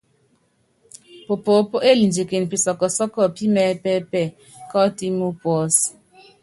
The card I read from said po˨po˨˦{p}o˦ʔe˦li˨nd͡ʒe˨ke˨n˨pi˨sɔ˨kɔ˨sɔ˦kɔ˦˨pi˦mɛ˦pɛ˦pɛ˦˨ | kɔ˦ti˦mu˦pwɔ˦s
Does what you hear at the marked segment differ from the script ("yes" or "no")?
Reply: no